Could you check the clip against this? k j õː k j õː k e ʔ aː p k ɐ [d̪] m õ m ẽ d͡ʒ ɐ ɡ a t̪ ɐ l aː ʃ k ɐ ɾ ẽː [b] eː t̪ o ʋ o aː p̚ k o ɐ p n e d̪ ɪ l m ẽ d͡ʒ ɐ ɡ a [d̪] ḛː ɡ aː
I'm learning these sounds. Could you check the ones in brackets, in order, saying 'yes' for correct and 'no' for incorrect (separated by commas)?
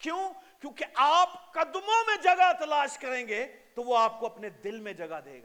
yes, no, yes